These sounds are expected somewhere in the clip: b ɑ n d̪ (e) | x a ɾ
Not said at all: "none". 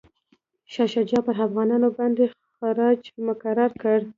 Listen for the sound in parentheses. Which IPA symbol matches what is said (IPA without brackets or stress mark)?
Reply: e